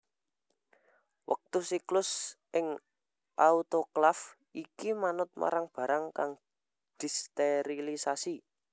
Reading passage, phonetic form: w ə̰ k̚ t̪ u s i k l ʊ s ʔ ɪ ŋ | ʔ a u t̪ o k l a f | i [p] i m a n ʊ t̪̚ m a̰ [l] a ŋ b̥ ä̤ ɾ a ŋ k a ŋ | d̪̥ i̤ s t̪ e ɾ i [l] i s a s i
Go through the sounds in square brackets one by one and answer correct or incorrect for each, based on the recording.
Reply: incorrect: k, incorrect: ɾ, correct

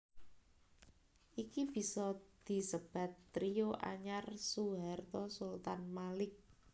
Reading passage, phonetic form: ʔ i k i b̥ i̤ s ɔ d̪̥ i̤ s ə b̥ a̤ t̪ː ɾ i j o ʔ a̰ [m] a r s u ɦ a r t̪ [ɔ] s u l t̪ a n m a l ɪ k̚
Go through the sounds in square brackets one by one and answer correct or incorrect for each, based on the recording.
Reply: incorrect: ɲ, correct

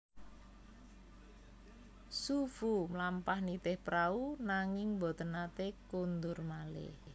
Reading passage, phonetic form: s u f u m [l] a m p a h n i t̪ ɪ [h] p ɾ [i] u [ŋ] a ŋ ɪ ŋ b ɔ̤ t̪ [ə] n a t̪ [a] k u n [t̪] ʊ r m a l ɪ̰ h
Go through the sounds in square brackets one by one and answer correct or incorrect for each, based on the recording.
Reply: correct, correct, incorrect: a, incorrect: n, correct, incorrect: e, incorrect: d̪

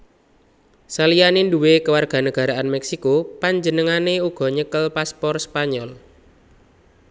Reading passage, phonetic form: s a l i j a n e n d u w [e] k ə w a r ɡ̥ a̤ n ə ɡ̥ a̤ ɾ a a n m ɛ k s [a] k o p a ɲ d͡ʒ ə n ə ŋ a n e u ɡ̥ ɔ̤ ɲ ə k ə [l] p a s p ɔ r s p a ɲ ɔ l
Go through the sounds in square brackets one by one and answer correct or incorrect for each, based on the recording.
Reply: correct, incorrect: i, correct

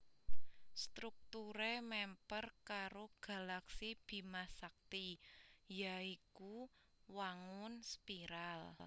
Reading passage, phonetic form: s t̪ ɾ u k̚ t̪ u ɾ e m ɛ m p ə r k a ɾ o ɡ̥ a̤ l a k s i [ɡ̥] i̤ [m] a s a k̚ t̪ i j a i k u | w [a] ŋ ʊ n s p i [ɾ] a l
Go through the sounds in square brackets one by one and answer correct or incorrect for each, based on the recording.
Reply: incorrect: b̥, correct, correct, correct

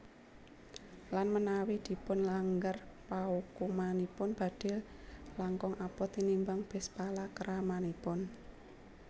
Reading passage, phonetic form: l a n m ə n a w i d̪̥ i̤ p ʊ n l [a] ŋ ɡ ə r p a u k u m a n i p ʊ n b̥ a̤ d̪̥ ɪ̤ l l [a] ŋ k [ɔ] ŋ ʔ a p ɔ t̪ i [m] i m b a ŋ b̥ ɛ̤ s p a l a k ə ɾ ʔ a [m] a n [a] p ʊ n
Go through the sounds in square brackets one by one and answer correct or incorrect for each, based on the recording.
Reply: correct, correct, correct, incorrect: n, correct, incorrect: i

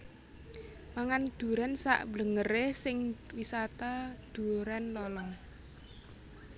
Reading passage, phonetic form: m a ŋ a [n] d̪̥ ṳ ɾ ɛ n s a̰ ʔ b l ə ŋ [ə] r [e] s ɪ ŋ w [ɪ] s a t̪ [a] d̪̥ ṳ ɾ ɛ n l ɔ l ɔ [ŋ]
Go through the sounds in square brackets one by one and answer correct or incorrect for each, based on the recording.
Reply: correct, correct, correct, incorrect: i, correct, correct

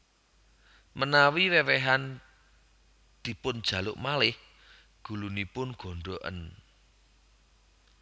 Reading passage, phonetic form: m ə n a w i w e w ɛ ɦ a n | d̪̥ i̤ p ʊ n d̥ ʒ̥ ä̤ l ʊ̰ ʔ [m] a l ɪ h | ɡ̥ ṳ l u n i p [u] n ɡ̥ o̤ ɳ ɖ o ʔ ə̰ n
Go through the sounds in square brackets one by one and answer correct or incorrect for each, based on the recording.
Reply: correct, incorrect: ʊ

